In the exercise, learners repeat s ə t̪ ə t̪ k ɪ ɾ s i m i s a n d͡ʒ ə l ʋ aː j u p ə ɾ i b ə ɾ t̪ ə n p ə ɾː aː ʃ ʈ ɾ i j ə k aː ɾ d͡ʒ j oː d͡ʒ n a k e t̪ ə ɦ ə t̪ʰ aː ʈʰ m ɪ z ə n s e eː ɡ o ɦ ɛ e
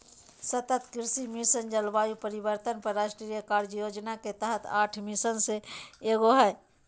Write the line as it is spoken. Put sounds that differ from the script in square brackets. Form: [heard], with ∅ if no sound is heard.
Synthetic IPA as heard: s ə t̪ ə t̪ k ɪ ɾ s i m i s [ə] n d͡ʒ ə l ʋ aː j u p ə ɾ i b ə ɾ t̪ ə n p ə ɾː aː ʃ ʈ ɾ i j ə k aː ɾ d͡ʒ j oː d͡ʒ n a k e t̪ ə ɦ ə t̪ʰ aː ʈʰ m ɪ [s] ə n s e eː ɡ o ɦ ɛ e